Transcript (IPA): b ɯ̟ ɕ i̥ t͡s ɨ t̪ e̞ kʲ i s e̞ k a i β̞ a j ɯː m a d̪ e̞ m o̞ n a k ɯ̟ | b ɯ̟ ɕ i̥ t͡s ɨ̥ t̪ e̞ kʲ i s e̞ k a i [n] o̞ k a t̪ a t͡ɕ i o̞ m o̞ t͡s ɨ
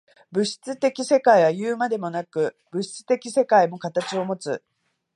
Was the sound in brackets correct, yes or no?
no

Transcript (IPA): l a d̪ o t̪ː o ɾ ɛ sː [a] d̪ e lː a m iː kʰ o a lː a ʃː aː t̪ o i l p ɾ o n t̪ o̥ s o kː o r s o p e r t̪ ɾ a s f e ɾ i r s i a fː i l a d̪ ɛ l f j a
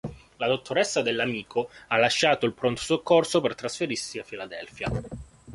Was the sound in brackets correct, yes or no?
yes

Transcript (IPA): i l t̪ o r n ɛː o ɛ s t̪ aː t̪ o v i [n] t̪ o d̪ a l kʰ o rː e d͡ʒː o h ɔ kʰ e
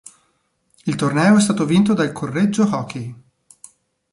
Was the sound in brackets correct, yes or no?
yes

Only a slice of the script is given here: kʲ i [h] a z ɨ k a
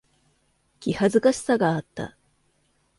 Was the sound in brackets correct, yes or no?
yes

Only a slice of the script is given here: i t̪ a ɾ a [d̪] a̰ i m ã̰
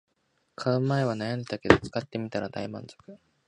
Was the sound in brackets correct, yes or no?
yes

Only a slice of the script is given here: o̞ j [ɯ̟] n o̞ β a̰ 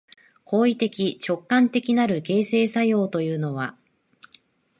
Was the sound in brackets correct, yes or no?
no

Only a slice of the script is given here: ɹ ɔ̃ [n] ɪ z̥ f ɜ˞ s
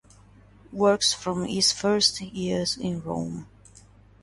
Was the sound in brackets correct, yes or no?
no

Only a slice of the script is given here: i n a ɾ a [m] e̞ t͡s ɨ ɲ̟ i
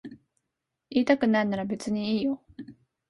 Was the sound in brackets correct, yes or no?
no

